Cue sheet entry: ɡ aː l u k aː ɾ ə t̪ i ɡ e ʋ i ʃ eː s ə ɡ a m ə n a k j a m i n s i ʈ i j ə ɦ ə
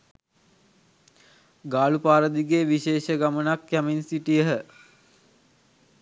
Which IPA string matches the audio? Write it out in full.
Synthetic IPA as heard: ɡ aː l u p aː ɾ ə d̪ i ɡ e ʋ i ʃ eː ʃ ə ɡ a m ə n a k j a m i n s i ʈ i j ə ɦ ə